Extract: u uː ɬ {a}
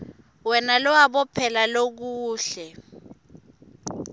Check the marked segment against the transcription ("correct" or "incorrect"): incorrect